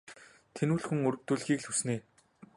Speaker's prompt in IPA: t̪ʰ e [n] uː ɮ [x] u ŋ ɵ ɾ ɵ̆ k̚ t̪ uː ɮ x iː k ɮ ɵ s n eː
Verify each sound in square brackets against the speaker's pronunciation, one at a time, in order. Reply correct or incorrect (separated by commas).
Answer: correct, correct